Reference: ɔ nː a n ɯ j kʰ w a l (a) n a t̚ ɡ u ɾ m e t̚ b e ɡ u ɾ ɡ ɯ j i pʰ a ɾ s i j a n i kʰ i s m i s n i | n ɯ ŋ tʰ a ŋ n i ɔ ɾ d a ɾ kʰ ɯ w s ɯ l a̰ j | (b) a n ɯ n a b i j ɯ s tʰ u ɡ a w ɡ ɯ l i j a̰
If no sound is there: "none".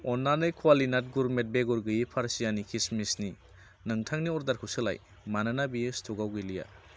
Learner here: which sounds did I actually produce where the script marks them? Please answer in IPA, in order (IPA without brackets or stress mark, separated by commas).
i, m